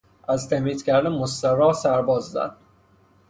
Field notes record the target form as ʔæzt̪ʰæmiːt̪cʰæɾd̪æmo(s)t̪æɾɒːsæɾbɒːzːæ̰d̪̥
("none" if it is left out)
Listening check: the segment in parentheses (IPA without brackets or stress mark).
s